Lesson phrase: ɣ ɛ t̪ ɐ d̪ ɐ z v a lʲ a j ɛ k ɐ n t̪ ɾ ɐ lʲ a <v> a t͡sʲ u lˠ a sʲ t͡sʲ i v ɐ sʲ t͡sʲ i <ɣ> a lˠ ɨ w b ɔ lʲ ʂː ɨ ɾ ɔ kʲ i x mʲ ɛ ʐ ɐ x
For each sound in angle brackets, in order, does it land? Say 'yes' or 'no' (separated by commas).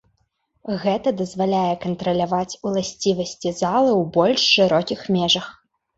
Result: yes, no